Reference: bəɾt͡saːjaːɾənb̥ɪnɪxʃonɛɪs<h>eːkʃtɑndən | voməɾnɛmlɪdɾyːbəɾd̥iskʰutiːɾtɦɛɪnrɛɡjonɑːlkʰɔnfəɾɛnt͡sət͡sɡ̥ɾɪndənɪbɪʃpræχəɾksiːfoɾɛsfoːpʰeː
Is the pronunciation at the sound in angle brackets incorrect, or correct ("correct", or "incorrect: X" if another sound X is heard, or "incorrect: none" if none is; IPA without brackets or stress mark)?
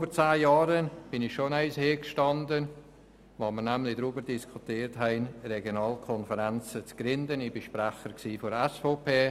correct